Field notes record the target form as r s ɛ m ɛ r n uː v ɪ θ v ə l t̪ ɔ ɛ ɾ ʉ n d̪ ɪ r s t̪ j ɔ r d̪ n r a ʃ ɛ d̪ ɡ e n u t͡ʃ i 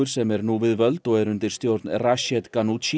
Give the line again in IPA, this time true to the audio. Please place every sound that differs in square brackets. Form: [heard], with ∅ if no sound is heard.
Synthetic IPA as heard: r s ɛ m ɛ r n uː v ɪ [ð] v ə l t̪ ɔ ɛ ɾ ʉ n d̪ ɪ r s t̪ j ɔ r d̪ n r a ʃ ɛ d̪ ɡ [a] n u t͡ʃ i